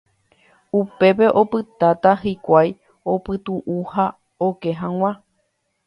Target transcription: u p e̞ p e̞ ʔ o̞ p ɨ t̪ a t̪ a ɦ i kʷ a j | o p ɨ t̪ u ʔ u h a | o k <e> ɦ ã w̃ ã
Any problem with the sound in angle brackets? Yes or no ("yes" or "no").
no